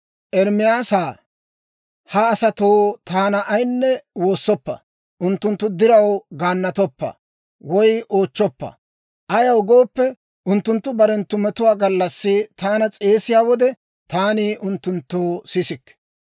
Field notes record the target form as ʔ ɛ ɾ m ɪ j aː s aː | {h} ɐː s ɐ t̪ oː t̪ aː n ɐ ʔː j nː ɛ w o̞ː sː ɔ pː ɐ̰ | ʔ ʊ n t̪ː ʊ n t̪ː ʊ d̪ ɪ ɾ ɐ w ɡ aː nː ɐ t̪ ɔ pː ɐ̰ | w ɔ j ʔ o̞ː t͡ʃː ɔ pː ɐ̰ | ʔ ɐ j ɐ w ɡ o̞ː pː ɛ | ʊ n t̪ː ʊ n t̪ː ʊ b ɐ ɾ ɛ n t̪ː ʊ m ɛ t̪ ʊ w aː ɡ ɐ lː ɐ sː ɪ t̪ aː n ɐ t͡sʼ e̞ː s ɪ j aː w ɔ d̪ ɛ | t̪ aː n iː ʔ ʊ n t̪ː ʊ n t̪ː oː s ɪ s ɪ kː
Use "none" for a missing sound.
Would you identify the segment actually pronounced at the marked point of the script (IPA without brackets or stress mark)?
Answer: h